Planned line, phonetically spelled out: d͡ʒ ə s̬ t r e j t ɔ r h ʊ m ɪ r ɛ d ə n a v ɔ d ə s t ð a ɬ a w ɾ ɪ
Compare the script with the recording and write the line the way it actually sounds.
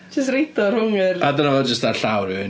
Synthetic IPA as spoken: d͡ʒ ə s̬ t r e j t ɔ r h ʊ ŋ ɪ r a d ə n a v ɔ d͡ʒ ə s t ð a ɬ a w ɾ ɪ